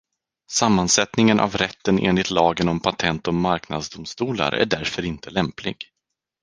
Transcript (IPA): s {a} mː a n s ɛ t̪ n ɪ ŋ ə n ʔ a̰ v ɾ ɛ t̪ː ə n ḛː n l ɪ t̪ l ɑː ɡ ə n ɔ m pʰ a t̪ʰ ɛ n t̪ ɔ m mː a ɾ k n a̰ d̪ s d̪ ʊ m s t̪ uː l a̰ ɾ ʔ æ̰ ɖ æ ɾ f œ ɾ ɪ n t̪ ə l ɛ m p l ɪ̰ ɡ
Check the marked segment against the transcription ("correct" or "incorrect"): correct